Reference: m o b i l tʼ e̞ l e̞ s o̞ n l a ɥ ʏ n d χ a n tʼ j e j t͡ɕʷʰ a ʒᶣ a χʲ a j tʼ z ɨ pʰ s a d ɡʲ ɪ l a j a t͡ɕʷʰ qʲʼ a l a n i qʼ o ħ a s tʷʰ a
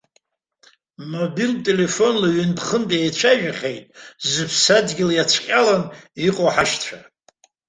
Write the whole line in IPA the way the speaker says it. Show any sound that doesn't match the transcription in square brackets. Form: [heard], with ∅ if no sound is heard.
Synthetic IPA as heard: m o b i l tʼ e̞ l e̞ [f] o̞ n l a ɥ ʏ n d χ [ə] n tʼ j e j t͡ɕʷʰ a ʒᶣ a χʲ [e] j tʼ z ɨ pʰ s a d ɡʲ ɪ l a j a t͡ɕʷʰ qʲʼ a l a n i qʼ o ħ a [ʃ] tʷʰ a